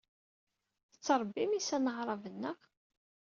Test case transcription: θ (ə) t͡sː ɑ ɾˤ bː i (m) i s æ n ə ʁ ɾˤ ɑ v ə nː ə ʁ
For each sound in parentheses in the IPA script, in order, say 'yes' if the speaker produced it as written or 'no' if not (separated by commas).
yes, yes